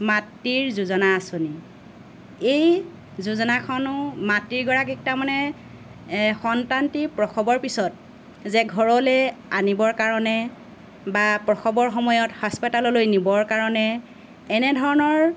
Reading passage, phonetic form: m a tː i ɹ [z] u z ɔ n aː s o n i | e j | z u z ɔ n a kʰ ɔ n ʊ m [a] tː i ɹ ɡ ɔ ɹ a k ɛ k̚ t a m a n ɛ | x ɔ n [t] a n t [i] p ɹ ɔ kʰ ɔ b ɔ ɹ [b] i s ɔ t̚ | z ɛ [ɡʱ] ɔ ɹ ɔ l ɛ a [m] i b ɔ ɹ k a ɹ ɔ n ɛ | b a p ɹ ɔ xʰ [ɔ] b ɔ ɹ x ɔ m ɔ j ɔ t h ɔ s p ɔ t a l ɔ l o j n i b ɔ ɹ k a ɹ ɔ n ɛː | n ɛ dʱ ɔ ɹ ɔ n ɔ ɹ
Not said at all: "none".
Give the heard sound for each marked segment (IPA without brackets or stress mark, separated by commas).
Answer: z, a, t, i, p, ɡʱ, n, ɔ